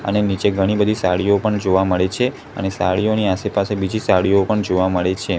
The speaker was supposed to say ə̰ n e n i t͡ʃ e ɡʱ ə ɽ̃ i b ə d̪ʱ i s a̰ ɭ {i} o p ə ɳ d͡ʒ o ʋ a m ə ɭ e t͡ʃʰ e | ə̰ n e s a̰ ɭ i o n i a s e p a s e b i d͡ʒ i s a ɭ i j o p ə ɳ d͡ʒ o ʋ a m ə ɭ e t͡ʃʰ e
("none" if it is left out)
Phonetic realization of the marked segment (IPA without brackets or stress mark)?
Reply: i